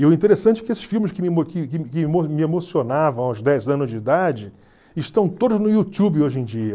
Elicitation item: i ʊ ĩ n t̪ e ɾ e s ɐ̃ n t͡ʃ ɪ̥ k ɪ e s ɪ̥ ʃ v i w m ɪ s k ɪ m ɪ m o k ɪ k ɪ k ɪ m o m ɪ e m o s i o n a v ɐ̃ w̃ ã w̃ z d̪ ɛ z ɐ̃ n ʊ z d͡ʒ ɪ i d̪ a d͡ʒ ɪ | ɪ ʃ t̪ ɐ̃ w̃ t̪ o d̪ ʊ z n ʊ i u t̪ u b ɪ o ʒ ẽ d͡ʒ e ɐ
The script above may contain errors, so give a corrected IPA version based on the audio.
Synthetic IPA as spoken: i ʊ ĩ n t̪ e ɾ e s ɐ̃ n t͡ʃ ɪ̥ k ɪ e s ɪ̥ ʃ f i w m ɪ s k ɪ m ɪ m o k ɪ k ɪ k ɪ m o m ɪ e m o s i o n a v ɐ̃ w̃ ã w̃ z d̪ ɛ z ɐ̃ n ʊ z d͡ʒ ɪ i d̪ a d͡ʒ ɪ | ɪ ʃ t̪ ɐ̃ w̃ t̪ o d̪ ʊ z n ʊ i u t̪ u b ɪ o ʒ ẽ d͡ʒ i ɐ